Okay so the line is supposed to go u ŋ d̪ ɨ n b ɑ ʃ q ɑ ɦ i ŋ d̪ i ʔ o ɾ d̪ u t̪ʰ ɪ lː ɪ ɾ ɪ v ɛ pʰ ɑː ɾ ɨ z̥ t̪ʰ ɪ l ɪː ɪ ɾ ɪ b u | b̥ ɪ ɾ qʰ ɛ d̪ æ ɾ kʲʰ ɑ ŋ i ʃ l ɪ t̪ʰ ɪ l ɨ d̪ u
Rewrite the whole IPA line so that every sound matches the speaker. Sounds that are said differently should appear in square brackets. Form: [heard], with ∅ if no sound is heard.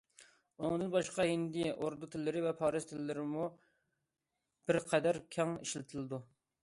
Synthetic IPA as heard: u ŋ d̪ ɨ n b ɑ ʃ q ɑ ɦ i [n] d̪ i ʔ o ɾ d̪ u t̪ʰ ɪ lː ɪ ɾ ɪ v ɛ pʰ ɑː ɾ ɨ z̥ t̪ʰ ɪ l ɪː ɪ ɾ ɪ [m] u | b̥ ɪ ɾ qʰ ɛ d̪ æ ɾ kʲʰ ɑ ŋ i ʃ l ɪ t̪ʰ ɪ l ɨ d̪ u